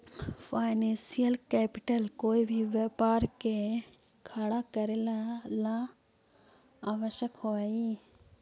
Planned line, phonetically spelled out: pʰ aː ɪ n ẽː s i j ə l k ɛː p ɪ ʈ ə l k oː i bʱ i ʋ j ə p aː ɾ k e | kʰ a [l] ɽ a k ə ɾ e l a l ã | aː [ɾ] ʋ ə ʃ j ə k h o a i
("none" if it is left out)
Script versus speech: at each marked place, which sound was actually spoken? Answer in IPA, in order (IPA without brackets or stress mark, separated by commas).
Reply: none, none